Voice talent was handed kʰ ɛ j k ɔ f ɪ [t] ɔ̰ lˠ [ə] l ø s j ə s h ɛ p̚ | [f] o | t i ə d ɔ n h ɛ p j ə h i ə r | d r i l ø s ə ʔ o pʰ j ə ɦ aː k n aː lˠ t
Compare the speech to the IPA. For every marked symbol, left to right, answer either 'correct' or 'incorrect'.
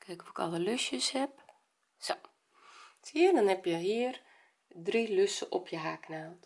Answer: incorrect: k, correct, incorrect: s

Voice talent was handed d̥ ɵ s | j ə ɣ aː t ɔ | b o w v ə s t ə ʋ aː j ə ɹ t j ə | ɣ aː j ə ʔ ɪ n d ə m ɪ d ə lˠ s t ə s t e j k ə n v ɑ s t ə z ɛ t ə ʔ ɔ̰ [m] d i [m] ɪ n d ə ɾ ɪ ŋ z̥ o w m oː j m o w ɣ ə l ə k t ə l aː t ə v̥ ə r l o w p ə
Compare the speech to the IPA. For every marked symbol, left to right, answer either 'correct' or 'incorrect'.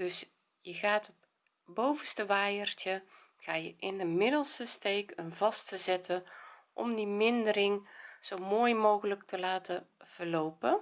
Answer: correct, correct

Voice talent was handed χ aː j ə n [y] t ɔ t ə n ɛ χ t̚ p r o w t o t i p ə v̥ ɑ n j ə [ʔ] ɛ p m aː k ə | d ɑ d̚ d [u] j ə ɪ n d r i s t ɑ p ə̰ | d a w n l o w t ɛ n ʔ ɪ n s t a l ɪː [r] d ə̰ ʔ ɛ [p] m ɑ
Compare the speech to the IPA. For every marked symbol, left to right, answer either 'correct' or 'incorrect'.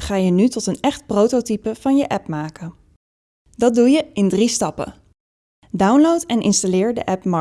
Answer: correct, correct, correct, incorrect: ɹ, correct

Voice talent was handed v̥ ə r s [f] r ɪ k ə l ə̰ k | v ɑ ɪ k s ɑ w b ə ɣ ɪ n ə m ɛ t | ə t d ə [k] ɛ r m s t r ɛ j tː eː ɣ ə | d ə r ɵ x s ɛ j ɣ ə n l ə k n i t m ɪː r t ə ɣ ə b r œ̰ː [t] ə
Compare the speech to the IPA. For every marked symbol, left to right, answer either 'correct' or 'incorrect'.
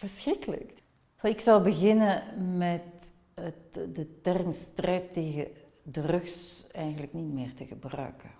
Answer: incorrect: x, incorrect: t, incorrect: k

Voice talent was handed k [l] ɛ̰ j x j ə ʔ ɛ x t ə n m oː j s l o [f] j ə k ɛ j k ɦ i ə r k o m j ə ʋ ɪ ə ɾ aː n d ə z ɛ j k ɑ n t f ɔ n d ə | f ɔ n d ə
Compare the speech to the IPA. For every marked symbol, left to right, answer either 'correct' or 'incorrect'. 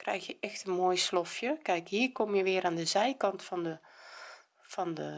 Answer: incorrect: r, correct

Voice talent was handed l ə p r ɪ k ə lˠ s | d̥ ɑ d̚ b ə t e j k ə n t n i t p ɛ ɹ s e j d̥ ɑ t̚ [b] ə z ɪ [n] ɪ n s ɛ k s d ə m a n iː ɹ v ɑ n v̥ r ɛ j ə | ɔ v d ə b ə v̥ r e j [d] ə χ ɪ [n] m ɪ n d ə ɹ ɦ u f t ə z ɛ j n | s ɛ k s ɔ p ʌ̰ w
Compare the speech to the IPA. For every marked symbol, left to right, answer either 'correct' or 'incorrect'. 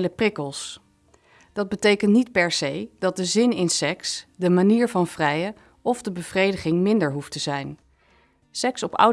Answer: incorrect: d, correct, correct, incorrect: ŋ

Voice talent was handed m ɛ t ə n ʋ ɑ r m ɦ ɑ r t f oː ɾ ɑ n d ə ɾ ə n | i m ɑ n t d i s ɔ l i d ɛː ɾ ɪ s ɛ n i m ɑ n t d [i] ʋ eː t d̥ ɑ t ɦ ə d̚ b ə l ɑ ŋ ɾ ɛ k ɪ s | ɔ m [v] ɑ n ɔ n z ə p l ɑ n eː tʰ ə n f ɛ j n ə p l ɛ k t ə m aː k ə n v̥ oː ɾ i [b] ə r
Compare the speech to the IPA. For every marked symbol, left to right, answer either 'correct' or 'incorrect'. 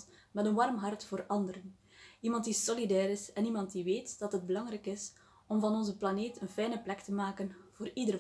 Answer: correct, correct, incorrect: d

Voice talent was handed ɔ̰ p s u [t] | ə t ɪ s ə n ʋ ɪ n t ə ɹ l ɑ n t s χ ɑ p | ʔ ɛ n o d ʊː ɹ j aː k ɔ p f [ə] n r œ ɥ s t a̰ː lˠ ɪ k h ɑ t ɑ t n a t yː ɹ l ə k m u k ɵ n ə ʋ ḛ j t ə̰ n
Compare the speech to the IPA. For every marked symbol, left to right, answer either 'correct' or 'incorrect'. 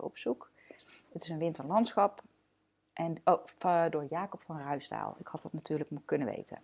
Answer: incorrect: k, incorrect: ɑ

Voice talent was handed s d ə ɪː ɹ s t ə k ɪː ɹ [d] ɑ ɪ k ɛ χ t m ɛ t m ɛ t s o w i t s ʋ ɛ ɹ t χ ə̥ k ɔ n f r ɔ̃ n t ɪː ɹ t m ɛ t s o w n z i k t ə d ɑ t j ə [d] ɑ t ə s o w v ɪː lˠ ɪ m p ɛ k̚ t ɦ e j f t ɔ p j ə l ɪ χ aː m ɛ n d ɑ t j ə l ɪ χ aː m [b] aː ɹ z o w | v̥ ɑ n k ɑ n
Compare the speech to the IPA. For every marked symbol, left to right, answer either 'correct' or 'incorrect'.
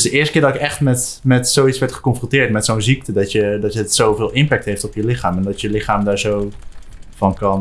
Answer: correct, correct, incorrect: d

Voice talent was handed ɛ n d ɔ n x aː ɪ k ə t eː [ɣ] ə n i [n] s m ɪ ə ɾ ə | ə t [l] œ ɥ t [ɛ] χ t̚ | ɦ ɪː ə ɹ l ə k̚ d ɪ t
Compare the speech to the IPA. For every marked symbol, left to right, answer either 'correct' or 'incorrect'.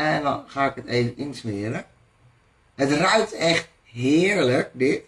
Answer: incorrect: v, correct, incorrect: r, correct

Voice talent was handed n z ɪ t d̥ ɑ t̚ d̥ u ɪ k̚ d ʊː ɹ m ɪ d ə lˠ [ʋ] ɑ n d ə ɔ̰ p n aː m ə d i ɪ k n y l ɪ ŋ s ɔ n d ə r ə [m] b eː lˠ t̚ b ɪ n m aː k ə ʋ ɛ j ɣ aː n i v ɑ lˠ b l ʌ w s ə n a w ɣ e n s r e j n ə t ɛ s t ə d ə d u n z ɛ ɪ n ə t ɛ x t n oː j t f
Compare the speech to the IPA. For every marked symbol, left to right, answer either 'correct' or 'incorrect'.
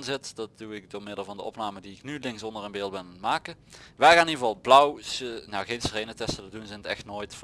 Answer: incorrect: v, incorrect: n

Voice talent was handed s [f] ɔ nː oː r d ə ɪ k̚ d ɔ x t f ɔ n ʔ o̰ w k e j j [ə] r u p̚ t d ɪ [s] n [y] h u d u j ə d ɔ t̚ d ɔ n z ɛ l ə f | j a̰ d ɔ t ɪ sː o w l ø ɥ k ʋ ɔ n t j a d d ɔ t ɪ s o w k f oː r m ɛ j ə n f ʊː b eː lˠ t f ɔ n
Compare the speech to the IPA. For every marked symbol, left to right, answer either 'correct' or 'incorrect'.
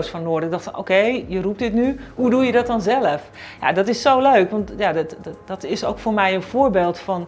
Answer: correct, correct, incorrect: t, correct

